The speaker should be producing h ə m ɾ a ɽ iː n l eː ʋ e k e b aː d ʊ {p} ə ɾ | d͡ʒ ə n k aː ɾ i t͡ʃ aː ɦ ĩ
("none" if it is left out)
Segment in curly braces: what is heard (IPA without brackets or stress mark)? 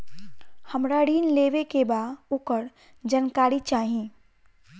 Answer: k